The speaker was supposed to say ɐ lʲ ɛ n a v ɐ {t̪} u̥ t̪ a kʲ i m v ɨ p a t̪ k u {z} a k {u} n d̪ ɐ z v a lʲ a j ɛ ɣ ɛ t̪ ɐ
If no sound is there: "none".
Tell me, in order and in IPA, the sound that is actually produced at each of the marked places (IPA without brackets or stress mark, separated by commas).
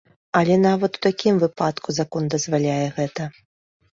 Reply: t̪, z, ɔ